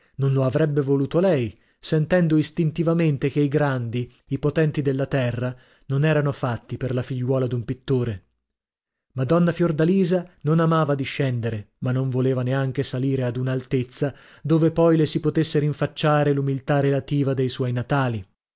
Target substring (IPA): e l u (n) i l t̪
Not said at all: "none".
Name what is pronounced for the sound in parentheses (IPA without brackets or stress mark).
m